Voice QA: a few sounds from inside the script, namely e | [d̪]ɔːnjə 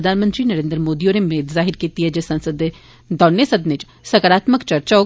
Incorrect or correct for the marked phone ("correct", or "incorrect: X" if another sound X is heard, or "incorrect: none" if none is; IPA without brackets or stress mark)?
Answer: correct